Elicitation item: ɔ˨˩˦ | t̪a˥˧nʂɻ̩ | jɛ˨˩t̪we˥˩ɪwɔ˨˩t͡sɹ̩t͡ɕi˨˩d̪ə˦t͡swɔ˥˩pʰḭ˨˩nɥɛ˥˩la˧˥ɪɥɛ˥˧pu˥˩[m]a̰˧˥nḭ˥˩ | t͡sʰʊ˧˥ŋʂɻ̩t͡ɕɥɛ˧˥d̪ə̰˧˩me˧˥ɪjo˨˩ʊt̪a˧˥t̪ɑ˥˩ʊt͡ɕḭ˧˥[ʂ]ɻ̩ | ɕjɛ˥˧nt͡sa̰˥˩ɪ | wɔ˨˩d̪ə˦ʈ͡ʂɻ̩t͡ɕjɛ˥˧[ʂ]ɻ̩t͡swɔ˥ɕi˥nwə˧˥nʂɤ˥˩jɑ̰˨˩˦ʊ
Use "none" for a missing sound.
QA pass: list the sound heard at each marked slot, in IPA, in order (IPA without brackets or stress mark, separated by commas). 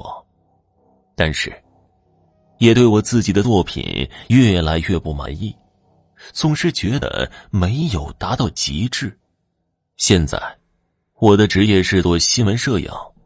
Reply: m, ʈ͡ʂ, ʂ